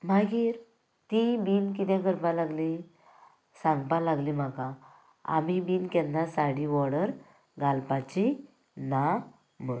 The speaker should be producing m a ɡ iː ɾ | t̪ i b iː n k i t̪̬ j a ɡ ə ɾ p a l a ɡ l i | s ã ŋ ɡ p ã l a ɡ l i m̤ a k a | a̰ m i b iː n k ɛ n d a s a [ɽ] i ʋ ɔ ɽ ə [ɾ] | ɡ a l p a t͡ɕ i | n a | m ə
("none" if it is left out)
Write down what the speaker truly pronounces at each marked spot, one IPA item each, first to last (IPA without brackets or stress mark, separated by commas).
ɽ, ɾ